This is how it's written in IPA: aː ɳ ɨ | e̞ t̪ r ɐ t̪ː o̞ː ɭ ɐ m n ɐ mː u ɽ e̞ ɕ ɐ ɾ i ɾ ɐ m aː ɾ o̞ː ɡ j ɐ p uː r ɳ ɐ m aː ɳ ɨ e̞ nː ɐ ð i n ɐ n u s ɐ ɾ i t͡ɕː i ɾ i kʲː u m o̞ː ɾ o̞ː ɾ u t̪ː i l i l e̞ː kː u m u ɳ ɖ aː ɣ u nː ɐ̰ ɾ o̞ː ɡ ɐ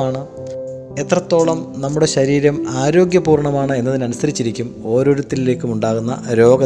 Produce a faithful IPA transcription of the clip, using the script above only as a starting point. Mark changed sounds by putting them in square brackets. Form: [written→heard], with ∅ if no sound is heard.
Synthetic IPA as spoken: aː ɳ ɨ | e̞ t̪ r ɐ t̪ː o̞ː ɭ ɐ m n ɐ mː u ɽ e̞ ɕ ɐ ɾ [i→iː] ɾ ɐ m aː ɾ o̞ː ɡ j ɐ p uː r ɳ ɐ m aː ɳ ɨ e̞ nː ɐ ð i n ɐ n u s ɐ ɾ i t͡ɕː i ɾ i kʲː u m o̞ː ɾ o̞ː ɾ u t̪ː i l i l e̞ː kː u m u ɳ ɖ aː ɣ u nː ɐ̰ ɾ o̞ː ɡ ɐ